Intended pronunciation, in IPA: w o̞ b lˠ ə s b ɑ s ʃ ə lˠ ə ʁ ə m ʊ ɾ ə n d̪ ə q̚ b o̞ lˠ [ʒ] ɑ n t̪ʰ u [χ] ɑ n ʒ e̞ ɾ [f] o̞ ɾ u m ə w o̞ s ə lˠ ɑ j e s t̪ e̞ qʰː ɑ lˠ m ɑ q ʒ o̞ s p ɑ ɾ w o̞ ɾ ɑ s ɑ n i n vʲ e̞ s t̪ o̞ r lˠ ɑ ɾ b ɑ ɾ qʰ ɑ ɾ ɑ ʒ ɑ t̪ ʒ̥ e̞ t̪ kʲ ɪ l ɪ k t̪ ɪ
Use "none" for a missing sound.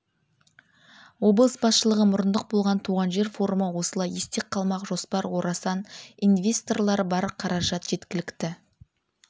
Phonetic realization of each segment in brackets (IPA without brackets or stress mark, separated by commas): ʁ, ʁ, f